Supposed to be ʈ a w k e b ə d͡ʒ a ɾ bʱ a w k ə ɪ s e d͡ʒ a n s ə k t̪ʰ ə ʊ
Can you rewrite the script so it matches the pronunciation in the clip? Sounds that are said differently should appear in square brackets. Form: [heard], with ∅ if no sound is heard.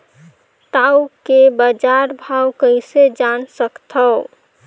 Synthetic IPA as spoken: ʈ a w k e b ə d͡ʒ a ɾ bʱ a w k ə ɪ s e d͡ʒ a n s ə k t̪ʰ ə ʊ